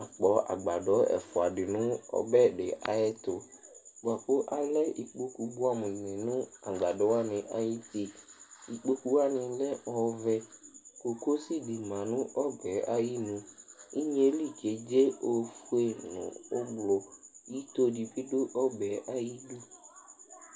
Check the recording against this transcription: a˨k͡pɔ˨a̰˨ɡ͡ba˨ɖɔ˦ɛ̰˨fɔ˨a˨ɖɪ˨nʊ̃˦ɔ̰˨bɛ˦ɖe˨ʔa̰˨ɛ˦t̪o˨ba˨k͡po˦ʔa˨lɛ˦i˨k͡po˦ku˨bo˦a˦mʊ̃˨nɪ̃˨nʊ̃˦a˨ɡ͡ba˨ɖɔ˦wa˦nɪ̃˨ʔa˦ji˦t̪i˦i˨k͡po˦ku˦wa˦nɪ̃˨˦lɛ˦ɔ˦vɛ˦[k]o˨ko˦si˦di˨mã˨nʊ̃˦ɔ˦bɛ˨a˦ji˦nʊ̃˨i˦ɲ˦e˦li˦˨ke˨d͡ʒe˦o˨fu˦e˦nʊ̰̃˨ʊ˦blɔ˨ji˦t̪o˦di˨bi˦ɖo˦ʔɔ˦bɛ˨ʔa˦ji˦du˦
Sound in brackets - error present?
no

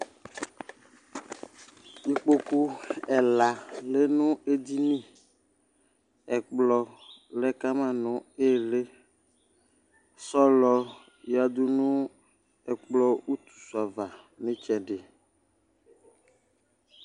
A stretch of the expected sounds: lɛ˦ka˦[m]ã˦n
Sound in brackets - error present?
no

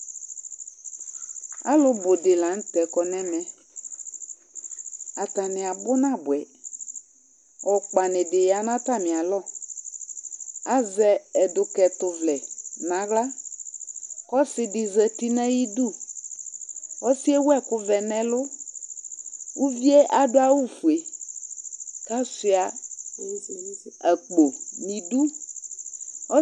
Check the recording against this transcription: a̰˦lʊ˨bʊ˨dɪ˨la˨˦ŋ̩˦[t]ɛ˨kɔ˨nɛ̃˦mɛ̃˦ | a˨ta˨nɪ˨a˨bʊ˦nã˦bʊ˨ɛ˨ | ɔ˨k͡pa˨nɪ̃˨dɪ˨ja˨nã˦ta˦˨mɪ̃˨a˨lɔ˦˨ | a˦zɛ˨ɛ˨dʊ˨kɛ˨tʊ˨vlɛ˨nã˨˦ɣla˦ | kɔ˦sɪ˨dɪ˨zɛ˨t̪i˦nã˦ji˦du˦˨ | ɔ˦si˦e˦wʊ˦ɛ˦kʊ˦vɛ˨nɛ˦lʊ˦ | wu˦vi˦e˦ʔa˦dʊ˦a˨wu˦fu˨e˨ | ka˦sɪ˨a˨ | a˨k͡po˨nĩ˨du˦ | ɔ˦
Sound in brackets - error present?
no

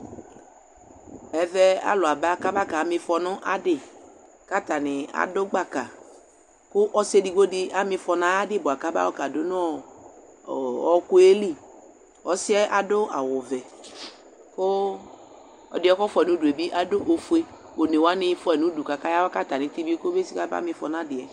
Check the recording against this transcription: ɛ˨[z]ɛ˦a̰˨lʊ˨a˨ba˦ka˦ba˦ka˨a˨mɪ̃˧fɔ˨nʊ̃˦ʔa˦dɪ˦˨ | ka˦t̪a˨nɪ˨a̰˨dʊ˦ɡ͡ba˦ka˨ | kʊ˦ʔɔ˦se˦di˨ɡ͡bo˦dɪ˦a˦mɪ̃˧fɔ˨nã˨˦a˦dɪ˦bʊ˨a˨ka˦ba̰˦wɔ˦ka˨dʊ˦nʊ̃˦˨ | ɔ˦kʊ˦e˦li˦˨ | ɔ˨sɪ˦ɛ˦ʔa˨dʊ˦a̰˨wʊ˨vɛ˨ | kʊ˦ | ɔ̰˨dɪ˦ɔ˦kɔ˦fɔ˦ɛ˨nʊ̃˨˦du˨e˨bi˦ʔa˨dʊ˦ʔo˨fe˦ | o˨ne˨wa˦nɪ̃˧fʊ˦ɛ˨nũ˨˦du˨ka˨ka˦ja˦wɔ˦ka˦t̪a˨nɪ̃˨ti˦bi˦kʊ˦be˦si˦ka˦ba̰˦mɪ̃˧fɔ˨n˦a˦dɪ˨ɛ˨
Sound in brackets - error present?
yes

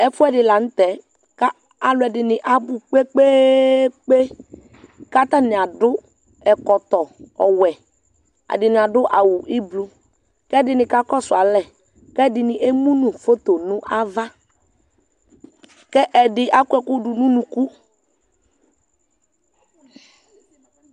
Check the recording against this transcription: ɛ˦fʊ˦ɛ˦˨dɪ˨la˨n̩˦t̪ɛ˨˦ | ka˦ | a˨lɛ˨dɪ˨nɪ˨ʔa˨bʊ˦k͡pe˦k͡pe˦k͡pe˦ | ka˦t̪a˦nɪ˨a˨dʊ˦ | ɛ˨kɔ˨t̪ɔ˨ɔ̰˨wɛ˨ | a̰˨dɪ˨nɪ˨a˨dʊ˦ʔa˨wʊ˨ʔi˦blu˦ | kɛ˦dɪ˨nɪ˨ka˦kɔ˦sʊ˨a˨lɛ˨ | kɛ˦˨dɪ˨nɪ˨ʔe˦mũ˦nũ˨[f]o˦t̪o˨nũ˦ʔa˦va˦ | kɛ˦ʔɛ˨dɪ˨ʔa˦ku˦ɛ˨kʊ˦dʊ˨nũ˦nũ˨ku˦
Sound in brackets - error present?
no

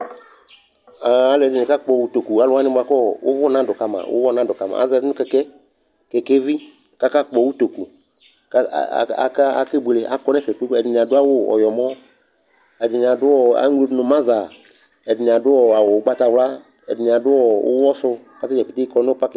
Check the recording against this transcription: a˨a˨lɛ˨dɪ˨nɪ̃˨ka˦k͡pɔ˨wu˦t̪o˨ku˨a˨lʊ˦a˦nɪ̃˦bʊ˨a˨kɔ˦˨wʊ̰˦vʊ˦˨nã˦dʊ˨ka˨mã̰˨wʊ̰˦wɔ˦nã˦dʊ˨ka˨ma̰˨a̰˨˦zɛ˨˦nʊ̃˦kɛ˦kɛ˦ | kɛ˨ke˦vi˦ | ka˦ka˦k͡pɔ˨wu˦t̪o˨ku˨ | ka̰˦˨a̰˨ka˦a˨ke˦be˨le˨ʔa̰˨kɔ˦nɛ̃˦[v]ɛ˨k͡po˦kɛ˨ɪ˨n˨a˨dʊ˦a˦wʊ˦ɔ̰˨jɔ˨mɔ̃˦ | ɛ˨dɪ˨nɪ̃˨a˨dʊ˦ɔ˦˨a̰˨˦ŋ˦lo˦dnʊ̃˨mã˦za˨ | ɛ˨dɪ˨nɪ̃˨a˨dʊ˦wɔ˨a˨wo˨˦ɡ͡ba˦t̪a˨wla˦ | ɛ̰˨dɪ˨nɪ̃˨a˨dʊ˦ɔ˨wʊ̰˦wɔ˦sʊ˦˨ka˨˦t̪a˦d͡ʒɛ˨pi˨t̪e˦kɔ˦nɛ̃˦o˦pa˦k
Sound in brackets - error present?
yes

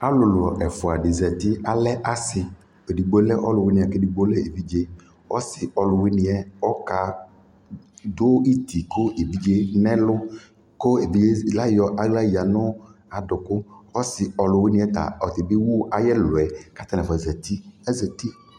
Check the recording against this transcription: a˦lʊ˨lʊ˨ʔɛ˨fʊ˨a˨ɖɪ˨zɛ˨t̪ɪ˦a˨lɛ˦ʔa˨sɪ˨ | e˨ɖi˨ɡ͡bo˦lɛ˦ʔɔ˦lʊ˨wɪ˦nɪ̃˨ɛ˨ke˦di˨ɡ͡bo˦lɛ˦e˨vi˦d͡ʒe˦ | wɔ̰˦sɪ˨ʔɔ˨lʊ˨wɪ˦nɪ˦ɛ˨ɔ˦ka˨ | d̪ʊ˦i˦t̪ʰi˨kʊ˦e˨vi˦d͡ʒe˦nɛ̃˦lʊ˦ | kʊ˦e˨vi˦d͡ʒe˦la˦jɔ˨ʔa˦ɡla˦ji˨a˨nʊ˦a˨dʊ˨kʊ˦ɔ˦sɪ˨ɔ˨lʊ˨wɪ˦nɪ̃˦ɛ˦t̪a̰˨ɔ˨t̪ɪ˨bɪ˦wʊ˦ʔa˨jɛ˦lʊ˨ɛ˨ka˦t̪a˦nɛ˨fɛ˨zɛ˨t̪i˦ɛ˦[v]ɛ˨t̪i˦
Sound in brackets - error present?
yes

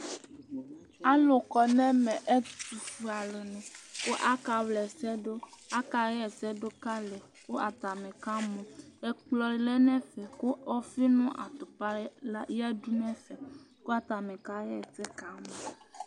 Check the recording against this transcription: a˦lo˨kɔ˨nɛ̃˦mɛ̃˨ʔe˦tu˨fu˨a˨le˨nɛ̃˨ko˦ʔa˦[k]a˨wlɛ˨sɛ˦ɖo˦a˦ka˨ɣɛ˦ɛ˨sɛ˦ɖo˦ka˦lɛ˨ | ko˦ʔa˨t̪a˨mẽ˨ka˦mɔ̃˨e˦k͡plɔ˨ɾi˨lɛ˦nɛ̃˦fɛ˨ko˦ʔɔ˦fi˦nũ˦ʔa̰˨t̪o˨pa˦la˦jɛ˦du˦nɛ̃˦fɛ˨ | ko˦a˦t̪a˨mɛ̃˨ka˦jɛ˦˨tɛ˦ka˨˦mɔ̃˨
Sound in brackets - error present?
no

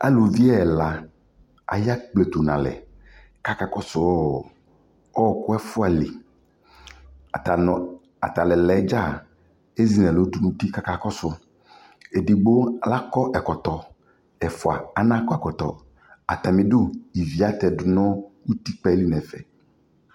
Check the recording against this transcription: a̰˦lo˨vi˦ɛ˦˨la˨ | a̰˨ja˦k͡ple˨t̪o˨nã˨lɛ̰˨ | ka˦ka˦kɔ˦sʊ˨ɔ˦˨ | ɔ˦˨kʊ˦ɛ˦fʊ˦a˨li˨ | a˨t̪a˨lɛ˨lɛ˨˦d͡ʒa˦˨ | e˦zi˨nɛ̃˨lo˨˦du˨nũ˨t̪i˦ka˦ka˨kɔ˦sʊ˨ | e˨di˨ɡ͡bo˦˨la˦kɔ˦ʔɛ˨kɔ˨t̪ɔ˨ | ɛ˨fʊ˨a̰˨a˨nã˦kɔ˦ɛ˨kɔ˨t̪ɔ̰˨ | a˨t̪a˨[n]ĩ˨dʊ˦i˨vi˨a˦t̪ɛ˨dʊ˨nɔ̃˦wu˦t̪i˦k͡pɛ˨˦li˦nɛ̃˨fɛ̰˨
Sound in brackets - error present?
yes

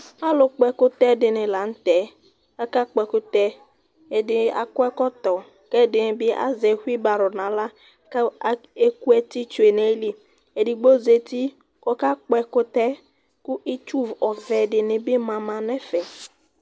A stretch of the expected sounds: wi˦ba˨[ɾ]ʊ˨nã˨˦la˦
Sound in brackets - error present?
no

